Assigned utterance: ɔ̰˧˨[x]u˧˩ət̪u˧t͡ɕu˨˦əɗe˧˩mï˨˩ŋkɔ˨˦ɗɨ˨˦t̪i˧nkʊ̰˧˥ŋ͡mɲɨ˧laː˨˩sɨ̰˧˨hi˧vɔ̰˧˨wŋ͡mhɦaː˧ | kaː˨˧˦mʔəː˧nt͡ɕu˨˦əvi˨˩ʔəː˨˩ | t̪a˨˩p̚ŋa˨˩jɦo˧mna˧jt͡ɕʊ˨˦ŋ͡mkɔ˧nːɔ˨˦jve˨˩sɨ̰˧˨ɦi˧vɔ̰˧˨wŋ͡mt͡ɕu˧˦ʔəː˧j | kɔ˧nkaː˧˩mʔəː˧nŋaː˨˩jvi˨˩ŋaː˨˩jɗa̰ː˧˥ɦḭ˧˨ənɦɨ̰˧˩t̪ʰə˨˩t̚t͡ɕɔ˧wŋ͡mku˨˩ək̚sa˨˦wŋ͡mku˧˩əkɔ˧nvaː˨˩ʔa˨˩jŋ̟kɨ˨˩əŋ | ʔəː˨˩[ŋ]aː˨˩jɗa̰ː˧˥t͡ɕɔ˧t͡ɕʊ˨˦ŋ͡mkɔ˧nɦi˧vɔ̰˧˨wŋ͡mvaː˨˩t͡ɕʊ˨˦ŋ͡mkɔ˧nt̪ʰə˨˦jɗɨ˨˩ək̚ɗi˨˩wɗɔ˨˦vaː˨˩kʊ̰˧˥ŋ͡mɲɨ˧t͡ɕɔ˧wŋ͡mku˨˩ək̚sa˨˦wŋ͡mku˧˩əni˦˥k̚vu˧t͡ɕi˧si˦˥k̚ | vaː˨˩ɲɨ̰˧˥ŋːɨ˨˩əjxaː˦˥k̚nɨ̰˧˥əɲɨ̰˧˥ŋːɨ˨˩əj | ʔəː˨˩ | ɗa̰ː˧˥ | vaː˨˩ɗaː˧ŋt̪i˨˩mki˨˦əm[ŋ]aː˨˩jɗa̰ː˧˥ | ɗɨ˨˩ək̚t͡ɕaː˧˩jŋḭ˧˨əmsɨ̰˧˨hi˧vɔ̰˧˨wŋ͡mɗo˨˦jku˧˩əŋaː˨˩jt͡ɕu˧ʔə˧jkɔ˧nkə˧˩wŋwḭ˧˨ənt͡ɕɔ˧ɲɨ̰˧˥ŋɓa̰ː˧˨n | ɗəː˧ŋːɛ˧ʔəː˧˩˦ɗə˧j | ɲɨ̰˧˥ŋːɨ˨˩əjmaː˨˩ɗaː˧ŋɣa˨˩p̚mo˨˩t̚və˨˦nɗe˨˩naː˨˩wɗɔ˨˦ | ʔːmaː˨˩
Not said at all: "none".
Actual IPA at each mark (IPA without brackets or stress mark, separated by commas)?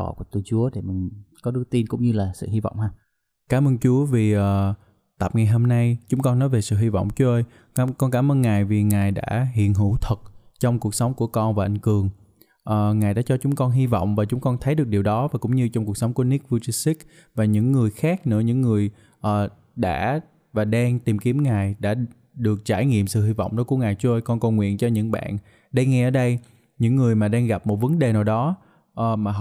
k, ŋ, ŋ